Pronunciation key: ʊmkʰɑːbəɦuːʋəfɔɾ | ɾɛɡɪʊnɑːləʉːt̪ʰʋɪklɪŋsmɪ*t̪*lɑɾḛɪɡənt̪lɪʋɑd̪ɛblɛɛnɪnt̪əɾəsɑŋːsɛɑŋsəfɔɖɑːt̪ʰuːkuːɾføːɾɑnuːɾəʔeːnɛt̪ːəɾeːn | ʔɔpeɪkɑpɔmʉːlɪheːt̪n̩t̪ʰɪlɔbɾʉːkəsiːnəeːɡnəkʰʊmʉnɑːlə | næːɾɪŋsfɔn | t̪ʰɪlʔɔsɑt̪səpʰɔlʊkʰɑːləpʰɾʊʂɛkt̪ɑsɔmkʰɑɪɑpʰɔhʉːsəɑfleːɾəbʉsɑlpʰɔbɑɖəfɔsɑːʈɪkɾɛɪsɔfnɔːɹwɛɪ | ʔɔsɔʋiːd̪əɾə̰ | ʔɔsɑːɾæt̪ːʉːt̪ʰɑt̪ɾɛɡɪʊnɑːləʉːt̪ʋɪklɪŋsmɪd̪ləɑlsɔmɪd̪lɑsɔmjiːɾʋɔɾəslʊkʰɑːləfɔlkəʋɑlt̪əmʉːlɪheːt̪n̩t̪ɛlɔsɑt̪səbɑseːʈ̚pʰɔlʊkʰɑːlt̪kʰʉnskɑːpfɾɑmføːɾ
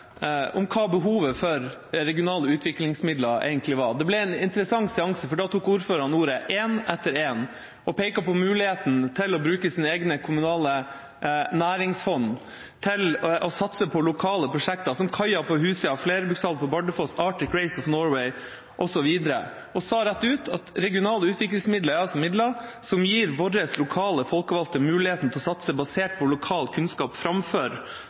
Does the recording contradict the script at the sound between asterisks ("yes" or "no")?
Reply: yes